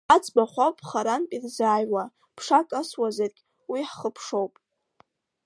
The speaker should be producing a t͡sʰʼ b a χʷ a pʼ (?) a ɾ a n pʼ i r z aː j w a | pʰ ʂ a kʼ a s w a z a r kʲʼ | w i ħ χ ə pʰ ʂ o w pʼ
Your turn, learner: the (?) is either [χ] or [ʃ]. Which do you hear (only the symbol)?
χ